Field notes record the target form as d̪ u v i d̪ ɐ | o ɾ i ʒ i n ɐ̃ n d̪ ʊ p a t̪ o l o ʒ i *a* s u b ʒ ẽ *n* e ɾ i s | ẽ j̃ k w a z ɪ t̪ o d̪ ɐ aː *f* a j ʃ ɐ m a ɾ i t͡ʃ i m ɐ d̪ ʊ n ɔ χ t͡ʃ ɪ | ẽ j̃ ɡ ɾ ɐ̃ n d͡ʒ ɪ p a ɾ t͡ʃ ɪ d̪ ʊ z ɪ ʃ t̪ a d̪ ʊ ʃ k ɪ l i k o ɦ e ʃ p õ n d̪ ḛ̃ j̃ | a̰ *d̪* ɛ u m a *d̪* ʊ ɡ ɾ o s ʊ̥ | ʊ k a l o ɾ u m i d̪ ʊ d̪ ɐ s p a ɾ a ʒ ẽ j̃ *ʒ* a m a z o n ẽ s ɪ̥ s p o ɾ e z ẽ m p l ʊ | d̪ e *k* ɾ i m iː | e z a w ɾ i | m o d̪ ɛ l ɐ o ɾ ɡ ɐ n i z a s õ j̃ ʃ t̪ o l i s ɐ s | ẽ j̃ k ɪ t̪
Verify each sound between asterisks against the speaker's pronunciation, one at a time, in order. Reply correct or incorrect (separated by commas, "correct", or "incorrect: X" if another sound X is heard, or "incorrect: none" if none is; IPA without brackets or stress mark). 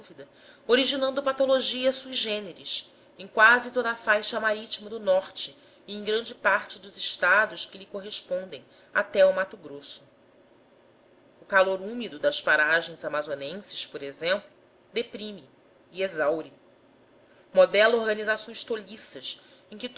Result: incorrect: ɐ, correct, correct, incorrect: t̪, incorrect: t̪, incorrect: z, incorrect: p